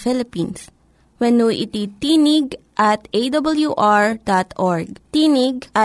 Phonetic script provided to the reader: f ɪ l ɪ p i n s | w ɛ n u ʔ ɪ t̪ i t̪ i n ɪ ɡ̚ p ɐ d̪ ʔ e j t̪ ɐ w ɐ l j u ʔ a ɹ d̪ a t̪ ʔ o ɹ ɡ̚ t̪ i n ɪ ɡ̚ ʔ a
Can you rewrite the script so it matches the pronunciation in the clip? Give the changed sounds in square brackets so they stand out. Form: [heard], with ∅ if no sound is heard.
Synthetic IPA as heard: f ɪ l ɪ p i n s | w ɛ n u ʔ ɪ t̪ i t̪ i n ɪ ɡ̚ [ʔ] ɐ [t̪] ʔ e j [d̪] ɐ [b] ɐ l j u ʔ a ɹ d̪ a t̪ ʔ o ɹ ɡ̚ t̪ i n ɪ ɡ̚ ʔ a